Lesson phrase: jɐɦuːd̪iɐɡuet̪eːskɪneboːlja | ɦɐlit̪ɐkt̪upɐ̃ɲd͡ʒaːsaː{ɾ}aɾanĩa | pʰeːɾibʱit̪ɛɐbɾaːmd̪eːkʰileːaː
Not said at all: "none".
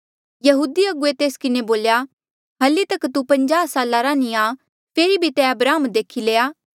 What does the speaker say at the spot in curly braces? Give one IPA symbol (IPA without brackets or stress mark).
l